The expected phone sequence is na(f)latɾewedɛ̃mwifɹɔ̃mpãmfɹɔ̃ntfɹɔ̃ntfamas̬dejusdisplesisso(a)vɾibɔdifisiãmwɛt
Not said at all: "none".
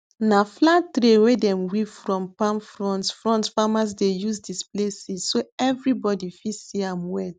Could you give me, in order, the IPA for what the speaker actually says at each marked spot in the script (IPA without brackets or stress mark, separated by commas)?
f, ɛ